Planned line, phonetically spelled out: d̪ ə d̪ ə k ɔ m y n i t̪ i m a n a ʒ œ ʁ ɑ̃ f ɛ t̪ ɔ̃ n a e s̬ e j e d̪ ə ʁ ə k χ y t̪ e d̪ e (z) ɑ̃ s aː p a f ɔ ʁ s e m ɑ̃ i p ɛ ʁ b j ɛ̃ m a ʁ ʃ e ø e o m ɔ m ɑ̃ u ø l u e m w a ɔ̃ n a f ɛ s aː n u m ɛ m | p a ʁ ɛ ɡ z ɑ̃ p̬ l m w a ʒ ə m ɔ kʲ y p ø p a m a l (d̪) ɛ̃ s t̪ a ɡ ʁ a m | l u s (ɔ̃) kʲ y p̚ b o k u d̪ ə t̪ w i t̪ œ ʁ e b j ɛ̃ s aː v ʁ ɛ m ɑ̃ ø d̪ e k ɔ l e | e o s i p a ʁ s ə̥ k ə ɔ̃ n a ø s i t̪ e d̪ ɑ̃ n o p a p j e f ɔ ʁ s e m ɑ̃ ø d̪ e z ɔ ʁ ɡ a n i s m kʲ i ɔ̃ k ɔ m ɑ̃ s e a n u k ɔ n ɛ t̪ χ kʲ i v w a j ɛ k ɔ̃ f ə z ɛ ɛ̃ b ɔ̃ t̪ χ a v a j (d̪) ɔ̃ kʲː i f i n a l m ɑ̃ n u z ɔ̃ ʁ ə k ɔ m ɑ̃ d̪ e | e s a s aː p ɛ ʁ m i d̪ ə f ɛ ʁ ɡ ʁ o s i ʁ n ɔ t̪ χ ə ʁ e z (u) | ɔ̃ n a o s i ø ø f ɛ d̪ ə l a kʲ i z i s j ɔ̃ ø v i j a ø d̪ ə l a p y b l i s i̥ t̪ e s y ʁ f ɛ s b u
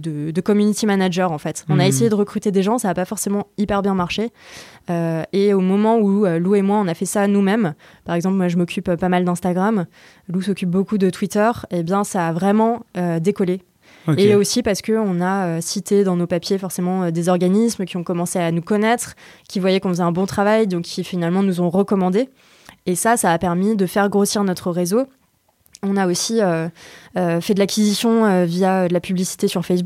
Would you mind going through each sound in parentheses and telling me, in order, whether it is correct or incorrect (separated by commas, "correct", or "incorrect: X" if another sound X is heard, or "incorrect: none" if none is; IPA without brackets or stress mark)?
incorrect: ʒ, correct, incorrect: ɔ, correct, incorrect: o